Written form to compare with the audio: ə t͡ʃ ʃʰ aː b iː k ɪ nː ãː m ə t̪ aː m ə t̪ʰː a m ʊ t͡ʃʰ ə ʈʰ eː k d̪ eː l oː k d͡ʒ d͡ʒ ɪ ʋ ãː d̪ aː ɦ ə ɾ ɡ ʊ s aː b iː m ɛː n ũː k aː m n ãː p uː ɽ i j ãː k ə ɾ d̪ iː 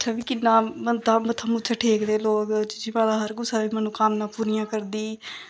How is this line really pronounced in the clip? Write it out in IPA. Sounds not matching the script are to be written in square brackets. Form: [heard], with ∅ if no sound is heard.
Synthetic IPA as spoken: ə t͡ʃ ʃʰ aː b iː k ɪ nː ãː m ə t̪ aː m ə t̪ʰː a m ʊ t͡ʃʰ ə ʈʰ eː k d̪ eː l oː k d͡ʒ d͡ʒ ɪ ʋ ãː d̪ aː ɦ ə ɾ ɡ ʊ s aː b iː m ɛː n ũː k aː m n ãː p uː [ɾ] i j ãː k ə ɾ d̪ iː